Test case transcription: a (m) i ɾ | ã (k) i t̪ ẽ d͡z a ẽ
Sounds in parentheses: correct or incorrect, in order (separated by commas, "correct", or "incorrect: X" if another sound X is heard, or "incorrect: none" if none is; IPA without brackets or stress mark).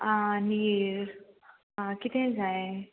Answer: incorrect: n, correct